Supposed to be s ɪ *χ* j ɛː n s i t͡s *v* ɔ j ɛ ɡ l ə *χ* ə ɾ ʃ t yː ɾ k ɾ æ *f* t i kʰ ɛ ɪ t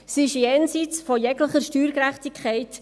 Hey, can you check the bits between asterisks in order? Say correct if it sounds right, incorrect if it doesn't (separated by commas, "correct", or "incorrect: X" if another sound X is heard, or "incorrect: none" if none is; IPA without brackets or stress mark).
incorrect: ʃ, incorrect: f, correct, incorrect: χ